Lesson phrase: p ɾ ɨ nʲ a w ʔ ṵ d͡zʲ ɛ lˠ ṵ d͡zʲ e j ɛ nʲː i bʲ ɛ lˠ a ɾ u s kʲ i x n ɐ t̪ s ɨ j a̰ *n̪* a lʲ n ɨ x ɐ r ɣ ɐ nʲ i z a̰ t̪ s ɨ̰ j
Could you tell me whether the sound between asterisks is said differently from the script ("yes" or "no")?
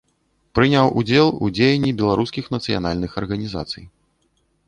no